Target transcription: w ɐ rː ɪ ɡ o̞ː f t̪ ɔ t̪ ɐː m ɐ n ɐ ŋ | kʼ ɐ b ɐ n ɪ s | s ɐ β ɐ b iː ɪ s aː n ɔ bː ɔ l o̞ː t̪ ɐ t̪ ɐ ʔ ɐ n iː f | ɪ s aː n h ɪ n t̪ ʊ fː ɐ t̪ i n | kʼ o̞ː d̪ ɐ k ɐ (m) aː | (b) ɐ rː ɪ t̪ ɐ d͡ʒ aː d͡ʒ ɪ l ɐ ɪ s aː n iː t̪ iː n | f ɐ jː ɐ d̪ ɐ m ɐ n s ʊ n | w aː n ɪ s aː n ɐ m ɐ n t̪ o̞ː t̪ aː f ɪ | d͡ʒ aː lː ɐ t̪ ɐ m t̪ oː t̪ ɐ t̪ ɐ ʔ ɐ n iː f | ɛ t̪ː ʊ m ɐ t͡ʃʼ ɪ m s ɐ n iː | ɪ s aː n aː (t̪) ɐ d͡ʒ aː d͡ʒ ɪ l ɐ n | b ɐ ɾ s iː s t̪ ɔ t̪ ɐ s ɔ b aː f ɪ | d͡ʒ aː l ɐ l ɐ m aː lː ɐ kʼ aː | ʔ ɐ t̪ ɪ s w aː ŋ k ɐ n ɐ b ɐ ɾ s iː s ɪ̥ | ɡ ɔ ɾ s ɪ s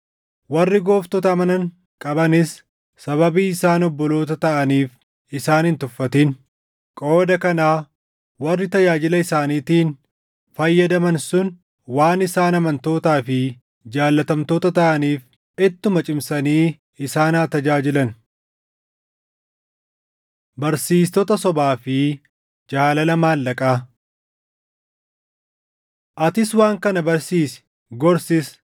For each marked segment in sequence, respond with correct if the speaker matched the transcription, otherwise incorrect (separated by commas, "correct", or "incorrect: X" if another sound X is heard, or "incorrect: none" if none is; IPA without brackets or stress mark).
incorrect: n, incorrect: w, correct